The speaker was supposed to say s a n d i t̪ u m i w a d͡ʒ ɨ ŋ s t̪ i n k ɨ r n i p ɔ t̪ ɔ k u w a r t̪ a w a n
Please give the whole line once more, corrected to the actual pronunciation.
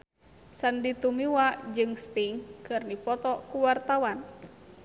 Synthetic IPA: s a n d i t̪ u m i w a d͡ʒ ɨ ŋ s t̪ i ŋ k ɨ r n i p ɔ t̪ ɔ k u w a r t̪ a w a n

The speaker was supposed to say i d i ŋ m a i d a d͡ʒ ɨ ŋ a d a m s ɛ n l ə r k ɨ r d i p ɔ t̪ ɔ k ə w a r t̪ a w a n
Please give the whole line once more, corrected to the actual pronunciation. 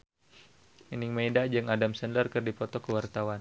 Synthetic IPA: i n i ŋ m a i d a d͡ʒ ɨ ŋ a d a m s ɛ n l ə r k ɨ r d i p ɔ t̪ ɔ k ə w a r t̪ a w a n

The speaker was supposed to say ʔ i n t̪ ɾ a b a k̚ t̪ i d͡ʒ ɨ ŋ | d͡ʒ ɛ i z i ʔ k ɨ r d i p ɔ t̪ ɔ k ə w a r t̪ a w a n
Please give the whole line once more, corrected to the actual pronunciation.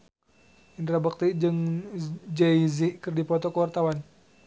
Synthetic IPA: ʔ i n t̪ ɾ a b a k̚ t̪ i d͡ʒ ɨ ŋ | d͡ʒ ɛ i z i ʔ k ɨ r d i p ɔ t̪ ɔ k ə w a r t̪ a w a n

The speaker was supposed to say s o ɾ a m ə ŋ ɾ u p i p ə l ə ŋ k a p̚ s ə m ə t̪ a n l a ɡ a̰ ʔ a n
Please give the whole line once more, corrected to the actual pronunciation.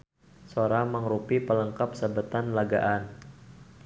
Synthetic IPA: s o ɾ a m ə ŋ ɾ u p i p ə l ə ŋ k a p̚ s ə b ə t̪ a n l a ɡ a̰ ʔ a n

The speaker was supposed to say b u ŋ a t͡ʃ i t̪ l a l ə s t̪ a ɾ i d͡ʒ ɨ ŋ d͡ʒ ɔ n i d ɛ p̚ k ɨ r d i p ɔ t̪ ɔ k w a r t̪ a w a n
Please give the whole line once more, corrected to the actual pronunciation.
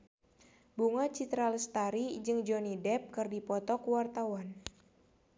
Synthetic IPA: b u ŋ a t͡ʃ i t̪ ɾ a l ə s t̪ a ɾ i d͡ʒ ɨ ŋ d͡ʒ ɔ n i d ɛ p̚ k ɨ r d i p ɔ t̪ ɔ k w a r t̪ a w a n

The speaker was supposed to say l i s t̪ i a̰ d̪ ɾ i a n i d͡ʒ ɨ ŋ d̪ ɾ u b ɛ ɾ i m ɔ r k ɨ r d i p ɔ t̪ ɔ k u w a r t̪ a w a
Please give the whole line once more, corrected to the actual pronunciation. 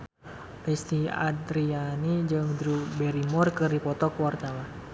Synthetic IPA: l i s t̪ i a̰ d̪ ɾ i a n i d͡ʒ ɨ ŋ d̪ ɾ u b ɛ ɾ i m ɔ r k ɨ r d i p ɔ t̪ ɔ k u w a r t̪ a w a

